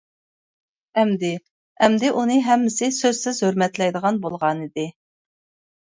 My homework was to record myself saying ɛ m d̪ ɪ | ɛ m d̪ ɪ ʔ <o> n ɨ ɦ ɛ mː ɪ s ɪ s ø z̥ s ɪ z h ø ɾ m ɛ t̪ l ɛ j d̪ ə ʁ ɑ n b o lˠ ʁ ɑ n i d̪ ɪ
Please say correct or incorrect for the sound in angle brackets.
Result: incorrect: u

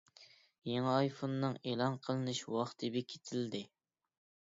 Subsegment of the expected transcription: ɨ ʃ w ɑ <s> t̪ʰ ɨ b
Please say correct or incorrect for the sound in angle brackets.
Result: incorrect: χ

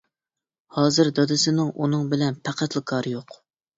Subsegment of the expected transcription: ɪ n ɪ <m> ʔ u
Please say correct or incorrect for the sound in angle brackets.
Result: incorrect: ŋ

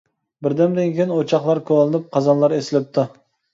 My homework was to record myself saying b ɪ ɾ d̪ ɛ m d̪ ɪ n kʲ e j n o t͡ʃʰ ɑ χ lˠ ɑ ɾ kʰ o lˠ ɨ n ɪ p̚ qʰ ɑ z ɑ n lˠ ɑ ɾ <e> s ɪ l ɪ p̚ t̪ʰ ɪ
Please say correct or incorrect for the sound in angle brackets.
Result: correct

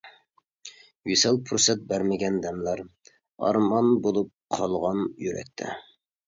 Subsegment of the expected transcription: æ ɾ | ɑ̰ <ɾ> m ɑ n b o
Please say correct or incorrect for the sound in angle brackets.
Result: correct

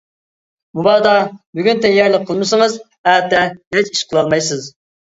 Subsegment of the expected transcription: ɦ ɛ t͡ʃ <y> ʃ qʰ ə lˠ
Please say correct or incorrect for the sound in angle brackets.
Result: incorrect: i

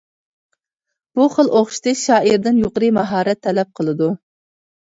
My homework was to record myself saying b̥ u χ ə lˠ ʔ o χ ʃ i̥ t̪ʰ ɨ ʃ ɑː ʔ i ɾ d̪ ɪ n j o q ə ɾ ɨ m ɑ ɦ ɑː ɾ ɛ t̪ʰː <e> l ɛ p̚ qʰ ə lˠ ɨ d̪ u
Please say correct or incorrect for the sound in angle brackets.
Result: incorrect: ɛ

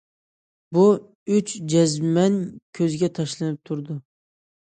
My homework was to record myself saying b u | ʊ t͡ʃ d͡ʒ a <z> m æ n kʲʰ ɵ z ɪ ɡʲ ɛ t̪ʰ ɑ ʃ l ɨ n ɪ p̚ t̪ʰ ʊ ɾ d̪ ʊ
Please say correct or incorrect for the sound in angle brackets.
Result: correct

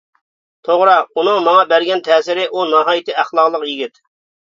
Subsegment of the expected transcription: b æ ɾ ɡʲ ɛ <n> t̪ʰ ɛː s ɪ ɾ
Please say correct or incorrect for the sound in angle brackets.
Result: correct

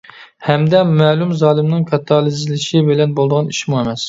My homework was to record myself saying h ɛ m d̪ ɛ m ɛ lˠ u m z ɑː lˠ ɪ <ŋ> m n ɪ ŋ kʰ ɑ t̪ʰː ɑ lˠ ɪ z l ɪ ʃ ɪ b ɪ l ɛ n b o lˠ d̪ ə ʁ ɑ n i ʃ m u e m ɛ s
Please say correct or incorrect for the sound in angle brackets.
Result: incorrect: none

